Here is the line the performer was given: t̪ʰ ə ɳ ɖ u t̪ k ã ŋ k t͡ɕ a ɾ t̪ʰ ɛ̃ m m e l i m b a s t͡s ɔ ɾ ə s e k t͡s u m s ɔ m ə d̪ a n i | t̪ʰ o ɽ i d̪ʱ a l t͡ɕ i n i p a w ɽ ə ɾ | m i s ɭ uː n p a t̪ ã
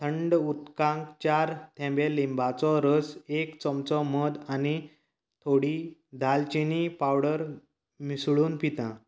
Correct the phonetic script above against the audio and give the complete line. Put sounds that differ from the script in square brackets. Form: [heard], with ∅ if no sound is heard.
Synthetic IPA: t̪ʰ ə ɳ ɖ u t̪ k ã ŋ k t͡ɕ a ɾ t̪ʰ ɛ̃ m [b] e l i m b a [∅] t͡s ɔ ɾ ə s e k t͡s [ɔ] m [t͡s] ɔ m ə d̪ a n i | t̪ʰ o ɽ i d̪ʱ a l t͡ɕ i n i p a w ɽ ə ɾ | m i s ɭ uː n p [i] t̪ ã

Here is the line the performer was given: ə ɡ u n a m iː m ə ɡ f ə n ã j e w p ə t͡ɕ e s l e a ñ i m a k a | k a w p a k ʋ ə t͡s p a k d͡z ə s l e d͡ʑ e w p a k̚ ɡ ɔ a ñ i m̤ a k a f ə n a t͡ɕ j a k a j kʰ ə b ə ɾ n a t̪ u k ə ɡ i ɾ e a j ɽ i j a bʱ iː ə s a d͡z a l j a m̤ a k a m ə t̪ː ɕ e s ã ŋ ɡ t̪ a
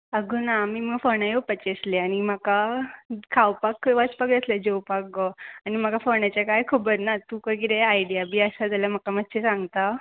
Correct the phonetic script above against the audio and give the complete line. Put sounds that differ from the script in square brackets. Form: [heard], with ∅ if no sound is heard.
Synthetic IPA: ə ɡ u n a m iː m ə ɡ f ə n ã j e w p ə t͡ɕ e s l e a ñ i m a k a | [kʰ] a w p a k ʋ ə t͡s p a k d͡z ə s l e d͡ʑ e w p a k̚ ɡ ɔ a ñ i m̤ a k a f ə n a t͡ɕ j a k a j kʰ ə b ə ɾ n a t̪ u k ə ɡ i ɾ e a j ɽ i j a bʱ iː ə s a d͡z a l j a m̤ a k a m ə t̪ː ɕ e s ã ŋ ɡ t̪ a

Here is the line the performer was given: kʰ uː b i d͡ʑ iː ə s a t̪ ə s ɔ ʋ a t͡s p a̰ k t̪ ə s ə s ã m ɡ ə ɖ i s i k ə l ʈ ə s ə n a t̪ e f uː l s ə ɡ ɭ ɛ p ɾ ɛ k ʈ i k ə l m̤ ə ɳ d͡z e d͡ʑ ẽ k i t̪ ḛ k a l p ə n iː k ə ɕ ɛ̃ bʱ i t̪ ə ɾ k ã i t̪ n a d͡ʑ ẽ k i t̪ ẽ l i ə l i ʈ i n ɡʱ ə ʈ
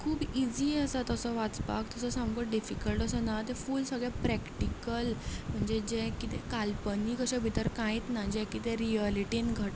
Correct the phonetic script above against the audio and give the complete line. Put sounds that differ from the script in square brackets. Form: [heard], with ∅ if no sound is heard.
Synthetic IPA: kʰ uː b i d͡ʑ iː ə s a t̪ ə s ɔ ʋ a t͡s p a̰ k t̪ ə s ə s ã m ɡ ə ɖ i [f] i k ə l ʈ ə s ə n a t̪ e f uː l s ə ɡ ɭ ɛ p ɾ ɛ k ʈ i k ə l m̤ ə ɳ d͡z e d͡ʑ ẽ k i t̪ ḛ k a l p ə n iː k ə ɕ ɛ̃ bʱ i t̪ ə ɾ k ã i t̪ n a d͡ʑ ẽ k i t̪ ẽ [ɾ] i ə l i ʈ i n ɡʱ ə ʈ

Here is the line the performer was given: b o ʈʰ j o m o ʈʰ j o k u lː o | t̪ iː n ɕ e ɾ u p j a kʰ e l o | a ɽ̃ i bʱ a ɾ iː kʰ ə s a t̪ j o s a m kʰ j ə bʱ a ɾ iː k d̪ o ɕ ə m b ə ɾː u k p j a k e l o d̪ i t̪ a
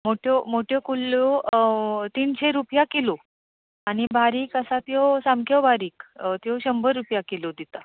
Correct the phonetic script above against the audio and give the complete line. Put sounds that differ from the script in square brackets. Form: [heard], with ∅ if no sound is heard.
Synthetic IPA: [m] o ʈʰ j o m o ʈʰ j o k u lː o | t̪ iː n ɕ e ɾ u p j a [k] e l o | a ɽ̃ i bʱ a ɾ iː [k] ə s a t̪ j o s a m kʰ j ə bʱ a ɾ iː k [t̪] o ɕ ə m b ə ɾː u [∅] p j a k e l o d̪ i t̪ a

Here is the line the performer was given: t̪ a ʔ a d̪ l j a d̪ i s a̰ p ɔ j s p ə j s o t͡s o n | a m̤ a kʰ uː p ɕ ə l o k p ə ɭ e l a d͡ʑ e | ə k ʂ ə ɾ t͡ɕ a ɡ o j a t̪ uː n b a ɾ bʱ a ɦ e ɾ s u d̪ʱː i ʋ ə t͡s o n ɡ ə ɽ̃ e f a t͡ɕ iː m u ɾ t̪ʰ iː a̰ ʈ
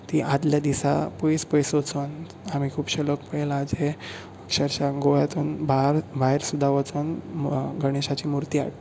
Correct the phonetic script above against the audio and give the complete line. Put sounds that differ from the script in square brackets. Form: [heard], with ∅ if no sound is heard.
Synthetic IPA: t̪ [i] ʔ a d̪ l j a d̪ i s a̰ p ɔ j s p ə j s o t͡s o n | a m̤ [i] kʰ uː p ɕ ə l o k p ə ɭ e l a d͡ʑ e | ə k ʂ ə ɾ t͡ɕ a ɡ o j a t̪ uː n b a ɾ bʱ a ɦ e ɾ s u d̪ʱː [a] ʋ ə t͡s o n ɡ ə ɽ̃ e [ɕ] a t͡ɕ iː m u ɾ [t̪] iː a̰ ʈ

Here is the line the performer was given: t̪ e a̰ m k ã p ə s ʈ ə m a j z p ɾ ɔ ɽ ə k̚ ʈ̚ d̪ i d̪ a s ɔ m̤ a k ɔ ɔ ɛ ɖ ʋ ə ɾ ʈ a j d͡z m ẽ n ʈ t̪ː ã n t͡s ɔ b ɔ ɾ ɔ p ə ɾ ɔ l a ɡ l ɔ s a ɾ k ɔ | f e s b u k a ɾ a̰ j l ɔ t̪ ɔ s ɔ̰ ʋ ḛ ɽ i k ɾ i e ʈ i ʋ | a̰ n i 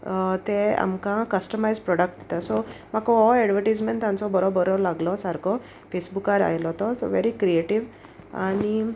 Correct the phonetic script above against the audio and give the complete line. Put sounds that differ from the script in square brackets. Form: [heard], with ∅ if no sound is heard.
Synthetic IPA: t̪ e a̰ m k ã [k] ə s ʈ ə m a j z p ɾ ɔ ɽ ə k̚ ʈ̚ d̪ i [t̪] a s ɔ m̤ a k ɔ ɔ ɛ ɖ ʋ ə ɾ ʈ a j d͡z m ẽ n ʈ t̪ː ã n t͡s ɔ b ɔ ɾ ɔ [b] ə ɾ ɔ l a ɡ l ɔ s a ɾ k ɔ | f e s b u k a ɾ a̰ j l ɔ t̪ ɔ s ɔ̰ ʋ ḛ [ɾ] i k ɾ i e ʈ i ʋ | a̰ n i

